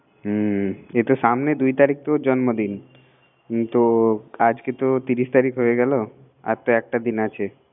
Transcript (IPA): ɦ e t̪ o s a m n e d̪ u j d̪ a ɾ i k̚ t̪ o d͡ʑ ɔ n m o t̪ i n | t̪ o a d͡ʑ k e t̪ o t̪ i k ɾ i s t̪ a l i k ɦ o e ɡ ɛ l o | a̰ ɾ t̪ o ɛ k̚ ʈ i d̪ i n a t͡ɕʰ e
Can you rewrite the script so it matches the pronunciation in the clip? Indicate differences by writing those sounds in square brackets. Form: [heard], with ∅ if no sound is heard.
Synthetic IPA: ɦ e t̪ o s a m n e d̪ u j [t̪] a ɾ i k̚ t̪ o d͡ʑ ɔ n m o [d̪] i n | t̪ o a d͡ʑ k e t̪ o t̪ i [∅] ɾ i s t̪ a [ɾ] i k ɦ o e ɡ ɛ l o | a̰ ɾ t̪ o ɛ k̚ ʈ [a] d̪ i n a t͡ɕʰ e